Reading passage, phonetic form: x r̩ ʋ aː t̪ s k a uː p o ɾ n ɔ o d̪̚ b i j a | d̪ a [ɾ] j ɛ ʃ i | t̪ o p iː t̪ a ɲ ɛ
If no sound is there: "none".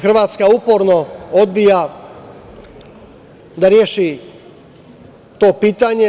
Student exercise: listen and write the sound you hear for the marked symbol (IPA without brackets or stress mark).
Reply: ɾ